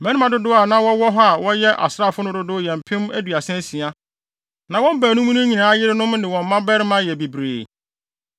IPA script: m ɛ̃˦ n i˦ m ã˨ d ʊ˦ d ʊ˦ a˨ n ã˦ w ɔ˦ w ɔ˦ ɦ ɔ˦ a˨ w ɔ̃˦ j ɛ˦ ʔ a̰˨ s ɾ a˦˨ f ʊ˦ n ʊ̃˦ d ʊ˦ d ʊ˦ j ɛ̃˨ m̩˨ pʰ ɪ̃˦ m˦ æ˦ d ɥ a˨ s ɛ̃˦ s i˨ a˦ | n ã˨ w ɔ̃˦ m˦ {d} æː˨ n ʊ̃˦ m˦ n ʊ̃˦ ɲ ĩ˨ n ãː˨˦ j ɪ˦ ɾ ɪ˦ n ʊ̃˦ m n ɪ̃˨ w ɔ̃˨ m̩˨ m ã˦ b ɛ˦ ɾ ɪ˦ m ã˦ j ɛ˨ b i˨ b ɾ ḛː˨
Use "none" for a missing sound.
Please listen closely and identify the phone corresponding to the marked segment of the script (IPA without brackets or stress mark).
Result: b